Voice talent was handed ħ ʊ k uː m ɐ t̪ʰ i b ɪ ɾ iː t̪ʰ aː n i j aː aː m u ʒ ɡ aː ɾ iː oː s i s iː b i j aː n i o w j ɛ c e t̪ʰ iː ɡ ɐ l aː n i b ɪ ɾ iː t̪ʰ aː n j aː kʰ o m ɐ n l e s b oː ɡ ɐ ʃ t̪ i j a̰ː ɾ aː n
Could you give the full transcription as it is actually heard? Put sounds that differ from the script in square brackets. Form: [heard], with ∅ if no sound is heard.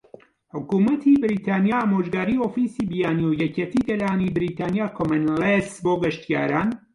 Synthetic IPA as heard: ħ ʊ k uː m ɐ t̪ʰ i b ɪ ɾ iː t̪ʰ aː n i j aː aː m [o] ʒ ɡ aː ɾ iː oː [f] i s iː b i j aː n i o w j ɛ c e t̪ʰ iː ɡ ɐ l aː n i b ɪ ɾ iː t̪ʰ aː n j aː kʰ o m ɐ n l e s b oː ɡ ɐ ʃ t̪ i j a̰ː ɾ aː n